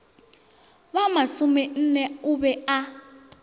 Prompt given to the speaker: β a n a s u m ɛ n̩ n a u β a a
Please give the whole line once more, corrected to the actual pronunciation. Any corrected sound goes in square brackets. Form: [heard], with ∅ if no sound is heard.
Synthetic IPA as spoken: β a [m] a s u m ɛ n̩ n [ɛ] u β [ɛ] a